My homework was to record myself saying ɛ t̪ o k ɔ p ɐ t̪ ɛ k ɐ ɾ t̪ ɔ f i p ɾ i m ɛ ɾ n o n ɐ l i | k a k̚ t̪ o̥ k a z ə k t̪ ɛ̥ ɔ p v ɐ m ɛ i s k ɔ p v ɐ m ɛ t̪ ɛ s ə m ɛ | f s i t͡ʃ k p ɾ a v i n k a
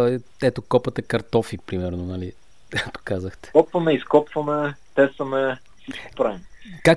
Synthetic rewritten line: ɛ t̪ o k ɔ p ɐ t̪ ɛ k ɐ ɾ t̪ ɔ f i p ɾ i m ɛ ɾ n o n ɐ l i | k a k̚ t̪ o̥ k a z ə x t̪ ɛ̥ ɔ p v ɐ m ɛ i s k ɔ p v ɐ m ɛ t̪ ɛ s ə m ɛ | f s i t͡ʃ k p ɾ a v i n k a